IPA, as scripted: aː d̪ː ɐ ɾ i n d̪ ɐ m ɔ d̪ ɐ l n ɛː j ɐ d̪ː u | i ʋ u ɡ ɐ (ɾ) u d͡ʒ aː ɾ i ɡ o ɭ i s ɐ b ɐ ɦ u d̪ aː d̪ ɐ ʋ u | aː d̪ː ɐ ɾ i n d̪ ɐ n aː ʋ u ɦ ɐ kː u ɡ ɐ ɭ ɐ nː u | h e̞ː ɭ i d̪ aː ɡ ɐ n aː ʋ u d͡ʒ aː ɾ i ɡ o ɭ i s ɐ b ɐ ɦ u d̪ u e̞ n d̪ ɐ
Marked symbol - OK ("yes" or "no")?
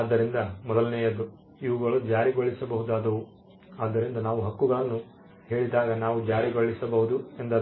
no